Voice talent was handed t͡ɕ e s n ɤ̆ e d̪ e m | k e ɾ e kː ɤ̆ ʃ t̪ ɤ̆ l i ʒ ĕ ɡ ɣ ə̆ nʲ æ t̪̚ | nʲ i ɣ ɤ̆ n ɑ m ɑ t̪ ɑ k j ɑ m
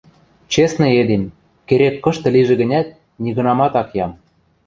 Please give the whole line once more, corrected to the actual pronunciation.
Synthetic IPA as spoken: t͡ɕ e s n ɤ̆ e d̪ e m | k e ɾ e kː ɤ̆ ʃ t̪ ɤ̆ l i ʒ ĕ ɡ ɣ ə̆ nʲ æ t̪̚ | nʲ i ɣ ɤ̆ n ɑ m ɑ t̪ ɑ k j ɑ m